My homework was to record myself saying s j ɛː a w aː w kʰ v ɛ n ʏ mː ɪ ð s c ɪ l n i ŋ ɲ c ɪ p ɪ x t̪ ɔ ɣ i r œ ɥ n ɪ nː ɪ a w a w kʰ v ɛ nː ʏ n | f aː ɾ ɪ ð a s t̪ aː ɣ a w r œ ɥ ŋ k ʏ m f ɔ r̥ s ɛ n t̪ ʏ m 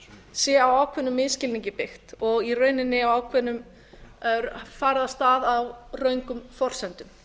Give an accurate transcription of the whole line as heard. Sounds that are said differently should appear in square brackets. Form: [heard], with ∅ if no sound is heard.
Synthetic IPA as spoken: s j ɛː a w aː w kʰ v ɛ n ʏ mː ɪ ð s c ɪ l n i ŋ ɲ c ɪ p ɪ x t̪ ɔ ɣ i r œ ɥ n ɪ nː ɪ a w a w kʰ v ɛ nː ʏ [m] | f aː ɾ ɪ ð a s t̪ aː [ð] a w r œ ɥ ŋ k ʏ m f ɔ r̥ s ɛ n t̪ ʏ m